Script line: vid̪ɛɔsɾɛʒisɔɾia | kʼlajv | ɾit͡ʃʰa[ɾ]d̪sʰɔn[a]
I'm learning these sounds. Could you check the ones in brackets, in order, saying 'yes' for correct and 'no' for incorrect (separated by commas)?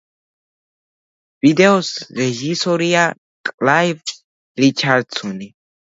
yes, no